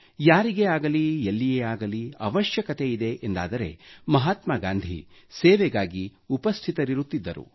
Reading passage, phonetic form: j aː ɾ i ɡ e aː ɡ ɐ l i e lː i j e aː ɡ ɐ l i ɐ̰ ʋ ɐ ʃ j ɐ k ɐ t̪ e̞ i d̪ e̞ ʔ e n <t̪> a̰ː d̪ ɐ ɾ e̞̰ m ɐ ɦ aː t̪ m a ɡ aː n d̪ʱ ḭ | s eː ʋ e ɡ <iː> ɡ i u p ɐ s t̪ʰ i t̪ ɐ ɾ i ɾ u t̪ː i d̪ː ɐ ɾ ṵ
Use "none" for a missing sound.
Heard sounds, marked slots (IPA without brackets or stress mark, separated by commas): d̪, aː